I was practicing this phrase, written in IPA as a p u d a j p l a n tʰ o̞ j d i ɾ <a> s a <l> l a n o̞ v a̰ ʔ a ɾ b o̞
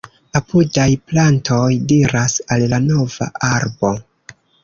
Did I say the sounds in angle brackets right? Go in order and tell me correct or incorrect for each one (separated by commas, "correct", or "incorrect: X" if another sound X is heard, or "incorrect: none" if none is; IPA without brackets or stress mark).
correct, correct